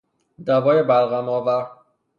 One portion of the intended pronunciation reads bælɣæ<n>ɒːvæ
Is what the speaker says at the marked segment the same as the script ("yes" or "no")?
no